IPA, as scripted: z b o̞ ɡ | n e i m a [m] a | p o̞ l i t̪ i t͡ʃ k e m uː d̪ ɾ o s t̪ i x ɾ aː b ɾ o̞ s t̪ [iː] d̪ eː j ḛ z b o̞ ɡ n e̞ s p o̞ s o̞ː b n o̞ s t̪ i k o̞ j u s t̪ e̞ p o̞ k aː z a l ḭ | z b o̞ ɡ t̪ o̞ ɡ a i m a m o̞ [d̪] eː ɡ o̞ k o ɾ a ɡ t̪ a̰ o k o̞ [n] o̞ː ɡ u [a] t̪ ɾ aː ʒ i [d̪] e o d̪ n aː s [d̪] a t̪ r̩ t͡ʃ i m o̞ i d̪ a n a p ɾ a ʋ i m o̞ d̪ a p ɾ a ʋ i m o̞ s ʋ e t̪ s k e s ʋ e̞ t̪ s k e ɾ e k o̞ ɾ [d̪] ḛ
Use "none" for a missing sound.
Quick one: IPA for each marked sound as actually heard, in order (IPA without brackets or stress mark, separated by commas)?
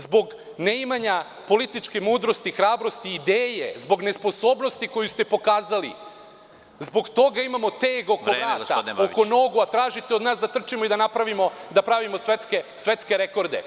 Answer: ɲ, iː, t̪, n, a, t̪, d̪, d̪